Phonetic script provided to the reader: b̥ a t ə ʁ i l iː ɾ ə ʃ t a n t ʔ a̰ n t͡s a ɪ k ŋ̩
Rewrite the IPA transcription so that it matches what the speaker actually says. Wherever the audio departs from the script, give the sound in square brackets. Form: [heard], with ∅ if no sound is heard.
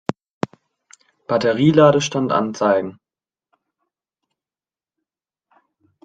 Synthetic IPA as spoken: b̥ a t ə ʁ [iː] l [aː] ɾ ə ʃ t a n t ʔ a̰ n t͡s a ɪ [ɡ] ŋ̩